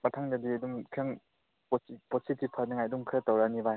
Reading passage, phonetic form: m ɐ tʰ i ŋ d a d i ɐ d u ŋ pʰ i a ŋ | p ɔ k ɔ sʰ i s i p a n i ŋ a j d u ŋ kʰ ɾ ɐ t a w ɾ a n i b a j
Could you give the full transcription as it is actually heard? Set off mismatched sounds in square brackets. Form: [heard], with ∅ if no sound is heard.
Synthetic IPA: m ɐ tʰ [a] ŋ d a d i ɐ d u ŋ [kʰ] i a ŋ | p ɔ [p] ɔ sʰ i [t] i [pʰ] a n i ŋ a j d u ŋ kʰ ɾ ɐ t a w ɾ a n i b a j